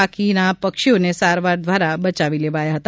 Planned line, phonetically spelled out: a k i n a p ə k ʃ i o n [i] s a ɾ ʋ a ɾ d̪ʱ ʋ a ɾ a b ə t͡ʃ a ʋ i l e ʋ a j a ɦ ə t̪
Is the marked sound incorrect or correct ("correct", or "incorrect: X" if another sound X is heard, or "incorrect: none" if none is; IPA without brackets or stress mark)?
incorrect: e